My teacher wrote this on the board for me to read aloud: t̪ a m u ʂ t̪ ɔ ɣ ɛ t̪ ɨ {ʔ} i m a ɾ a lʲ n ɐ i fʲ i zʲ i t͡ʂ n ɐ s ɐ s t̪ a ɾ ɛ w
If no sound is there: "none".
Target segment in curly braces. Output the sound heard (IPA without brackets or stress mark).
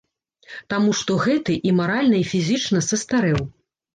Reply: ʔ